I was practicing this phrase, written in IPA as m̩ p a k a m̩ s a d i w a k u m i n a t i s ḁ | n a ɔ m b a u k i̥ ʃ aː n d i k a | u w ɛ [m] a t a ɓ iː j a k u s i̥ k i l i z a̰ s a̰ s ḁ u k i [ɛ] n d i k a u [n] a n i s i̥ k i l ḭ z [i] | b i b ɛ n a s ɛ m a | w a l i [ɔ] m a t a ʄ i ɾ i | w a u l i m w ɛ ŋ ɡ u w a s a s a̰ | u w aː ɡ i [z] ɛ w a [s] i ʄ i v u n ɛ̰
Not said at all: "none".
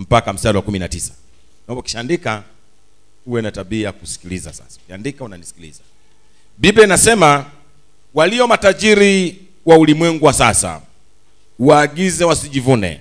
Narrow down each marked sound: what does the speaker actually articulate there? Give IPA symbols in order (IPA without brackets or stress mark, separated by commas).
n, a, n, a, ɔ, z, s